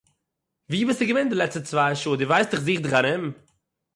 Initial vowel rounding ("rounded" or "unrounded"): unrounded